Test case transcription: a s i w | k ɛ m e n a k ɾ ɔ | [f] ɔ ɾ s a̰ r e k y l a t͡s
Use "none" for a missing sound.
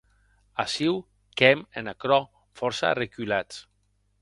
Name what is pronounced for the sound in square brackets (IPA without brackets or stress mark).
f